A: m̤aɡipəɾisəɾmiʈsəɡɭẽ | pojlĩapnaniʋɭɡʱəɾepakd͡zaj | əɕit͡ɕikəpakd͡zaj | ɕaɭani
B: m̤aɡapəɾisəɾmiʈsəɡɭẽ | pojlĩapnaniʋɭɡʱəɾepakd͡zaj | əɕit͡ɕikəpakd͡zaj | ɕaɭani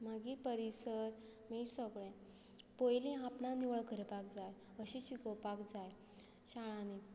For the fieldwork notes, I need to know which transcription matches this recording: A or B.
A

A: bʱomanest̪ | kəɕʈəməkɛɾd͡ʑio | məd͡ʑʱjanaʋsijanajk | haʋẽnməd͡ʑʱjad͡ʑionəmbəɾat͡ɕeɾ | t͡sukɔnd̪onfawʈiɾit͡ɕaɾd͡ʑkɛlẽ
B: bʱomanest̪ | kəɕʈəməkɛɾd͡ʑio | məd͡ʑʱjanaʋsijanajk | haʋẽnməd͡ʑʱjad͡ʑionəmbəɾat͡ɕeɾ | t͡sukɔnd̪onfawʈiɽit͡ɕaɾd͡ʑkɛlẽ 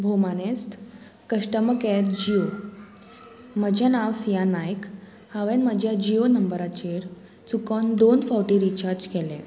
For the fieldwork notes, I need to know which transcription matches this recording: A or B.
A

